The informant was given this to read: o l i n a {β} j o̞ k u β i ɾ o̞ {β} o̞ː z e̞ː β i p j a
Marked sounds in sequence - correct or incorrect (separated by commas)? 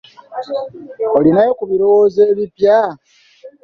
incorrect, incorrect